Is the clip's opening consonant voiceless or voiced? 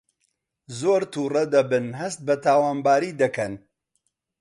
voiced